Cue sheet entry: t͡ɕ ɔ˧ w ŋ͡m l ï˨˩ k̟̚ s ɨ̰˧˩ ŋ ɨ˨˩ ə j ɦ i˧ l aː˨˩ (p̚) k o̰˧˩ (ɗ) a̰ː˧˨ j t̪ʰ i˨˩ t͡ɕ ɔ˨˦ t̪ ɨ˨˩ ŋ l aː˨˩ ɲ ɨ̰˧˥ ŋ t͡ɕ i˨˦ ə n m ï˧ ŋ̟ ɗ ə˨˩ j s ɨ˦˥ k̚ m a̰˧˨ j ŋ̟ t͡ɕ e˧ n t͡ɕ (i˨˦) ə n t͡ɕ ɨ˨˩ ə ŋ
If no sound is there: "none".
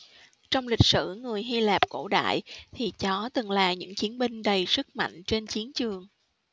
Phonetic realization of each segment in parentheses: p̚, ɗ, i˨˦

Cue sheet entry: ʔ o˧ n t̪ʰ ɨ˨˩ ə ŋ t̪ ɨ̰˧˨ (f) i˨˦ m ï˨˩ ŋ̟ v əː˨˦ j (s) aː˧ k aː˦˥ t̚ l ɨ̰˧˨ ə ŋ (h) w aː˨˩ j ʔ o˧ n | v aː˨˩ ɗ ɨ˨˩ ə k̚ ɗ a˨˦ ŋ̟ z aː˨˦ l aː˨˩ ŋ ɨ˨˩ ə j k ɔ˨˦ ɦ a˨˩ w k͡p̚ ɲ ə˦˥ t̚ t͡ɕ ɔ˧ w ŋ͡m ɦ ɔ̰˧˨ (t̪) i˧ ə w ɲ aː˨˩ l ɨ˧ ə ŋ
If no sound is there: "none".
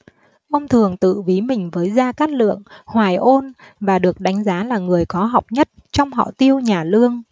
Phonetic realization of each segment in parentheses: v, z, h, t̪

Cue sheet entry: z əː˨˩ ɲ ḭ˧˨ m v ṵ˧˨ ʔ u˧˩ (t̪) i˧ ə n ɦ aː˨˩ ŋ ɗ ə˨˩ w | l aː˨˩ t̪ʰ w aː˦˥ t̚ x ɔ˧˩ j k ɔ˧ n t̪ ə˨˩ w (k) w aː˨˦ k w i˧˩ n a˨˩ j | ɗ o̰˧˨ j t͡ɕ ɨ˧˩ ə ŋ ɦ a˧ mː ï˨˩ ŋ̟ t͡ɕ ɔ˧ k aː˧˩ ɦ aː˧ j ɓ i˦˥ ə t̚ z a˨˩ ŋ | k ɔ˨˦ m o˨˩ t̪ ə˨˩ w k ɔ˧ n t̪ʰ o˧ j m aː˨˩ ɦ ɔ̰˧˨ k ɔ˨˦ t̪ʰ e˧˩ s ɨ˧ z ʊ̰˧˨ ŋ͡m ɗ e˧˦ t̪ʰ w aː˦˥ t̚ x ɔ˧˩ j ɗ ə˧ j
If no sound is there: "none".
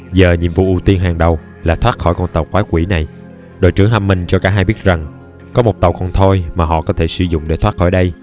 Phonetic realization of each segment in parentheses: t̪, k

